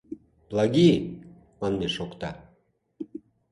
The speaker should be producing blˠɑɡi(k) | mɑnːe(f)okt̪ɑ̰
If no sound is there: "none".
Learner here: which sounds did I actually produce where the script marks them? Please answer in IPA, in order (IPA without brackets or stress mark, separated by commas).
none, ʃ